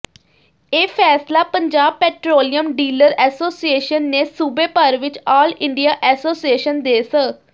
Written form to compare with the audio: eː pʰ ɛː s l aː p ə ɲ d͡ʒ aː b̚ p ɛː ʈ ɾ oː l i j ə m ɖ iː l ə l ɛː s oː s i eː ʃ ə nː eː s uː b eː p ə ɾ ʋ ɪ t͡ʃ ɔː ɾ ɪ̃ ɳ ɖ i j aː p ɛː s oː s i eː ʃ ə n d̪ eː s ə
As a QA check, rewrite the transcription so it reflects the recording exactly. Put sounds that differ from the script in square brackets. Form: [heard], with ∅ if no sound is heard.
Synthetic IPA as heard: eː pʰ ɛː s l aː p ə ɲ d͡ʒ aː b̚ p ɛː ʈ ɾ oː l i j ə m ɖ iː l ə [ɾ] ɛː s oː s i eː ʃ ə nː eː s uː b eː p ə ɾ ʋ ɪ t͡ʃ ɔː [l] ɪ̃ ɳ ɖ i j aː [ʔ] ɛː s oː s i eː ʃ ə n d̪ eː s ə